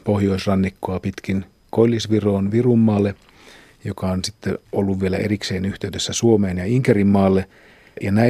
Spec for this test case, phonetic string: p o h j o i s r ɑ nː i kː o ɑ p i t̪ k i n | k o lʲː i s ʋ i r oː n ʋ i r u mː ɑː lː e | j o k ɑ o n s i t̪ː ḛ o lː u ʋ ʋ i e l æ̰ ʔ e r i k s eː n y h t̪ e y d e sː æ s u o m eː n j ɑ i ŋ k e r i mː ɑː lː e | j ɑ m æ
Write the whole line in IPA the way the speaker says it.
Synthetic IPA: p o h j o i s r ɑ nː i kː o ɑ p i t̪ k i n | k o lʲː i s ʋ i r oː n ʋ i r u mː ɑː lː e | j o k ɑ o n s i t̪ː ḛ o lː u ʋ ʋ i e l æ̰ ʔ e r i k s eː n y h t̪ e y d e sː æ s u o m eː n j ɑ i ŋ k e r i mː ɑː lː e | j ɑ n æ